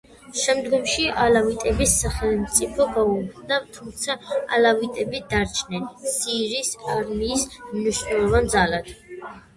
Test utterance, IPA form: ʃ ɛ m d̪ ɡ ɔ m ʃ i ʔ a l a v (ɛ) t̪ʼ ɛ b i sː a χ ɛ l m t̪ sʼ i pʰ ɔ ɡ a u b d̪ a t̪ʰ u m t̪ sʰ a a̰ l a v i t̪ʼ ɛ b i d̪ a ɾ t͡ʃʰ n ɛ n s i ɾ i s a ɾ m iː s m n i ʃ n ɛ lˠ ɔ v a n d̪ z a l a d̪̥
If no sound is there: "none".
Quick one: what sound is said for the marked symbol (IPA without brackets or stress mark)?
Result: i